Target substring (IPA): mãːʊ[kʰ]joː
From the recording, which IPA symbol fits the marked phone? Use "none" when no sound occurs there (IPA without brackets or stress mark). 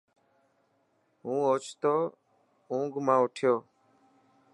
ʈʰ